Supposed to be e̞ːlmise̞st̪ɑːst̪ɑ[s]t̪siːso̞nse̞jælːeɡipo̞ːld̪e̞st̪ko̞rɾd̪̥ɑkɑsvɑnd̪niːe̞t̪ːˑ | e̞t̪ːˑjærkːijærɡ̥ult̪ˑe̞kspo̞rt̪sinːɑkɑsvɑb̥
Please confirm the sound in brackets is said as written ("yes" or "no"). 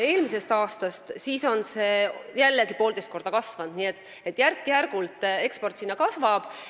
yes